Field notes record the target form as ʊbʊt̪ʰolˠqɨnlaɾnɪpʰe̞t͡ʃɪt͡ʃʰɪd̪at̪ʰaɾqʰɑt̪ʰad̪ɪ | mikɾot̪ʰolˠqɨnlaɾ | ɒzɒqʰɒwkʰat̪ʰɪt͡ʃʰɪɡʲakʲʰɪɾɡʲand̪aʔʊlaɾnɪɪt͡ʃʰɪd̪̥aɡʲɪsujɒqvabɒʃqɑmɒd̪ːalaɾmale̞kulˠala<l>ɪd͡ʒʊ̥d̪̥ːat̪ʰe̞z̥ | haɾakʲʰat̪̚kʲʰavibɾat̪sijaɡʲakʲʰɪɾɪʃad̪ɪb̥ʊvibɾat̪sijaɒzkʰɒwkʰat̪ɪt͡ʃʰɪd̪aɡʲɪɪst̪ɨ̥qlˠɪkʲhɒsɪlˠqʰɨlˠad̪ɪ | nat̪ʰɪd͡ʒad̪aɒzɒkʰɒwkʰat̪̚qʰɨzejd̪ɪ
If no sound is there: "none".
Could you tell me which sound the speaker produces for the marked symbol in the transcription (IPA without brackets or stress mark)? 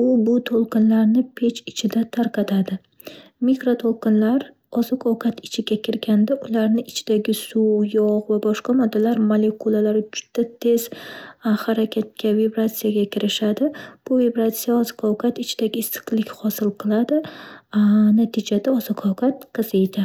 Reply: ɾ